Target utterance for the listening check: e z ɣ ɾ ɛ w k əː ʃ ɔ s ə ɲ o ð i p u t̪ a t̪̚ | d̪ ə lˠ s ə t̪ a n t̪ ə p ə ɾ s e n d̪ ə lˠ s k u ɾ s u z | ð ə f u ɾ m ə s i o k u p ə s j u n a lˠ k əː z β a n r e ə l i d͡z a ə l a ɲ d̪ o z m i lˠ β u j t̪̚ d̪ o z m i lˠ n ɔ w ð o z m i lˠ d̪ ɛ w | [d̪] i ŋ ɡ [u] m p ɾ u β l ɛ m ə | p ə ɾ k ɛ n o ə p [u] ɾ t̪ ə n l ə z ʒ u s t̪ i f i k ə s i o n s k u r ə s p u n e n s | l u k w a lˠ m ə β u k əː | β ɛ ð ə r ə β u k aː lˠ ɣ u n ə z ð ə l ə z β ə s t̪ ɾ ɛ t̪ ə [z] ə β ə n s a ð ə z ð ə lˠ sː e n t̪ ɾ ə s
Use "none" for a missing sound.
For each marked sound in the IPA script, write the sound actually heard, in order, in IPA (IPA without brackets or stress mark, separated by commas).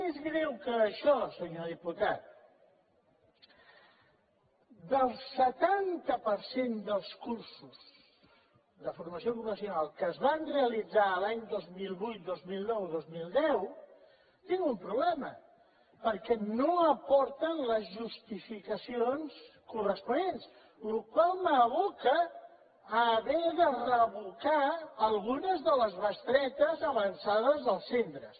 t̪, u, ɔ, z